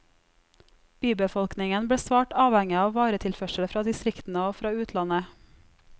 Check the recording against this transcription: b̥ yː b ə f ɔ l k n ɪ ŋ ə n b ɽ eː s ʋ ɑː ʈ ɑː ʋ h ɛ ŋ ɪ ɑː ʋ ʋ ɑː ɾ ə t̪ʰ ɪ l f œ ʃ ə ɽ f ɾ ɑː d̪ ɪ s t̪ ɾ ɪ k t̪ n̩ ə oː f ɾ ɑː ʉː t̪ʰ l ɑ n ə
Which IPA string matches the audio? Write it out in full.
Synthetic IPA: b̥ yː b ə f ɔ l k n ɪ ŋ ə n b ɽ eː s ʋ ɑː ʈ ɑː ʋ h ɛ ŋ ɪ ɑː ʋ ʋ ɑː ɾ ə t̪ʰ ɪ l f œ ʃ ə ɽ f ɾ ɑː d̪ ɪ s t̪ ɾ ɪ k t̪ n̩ ə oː f ɾ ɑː ʉː t̪ʰ l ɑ n ə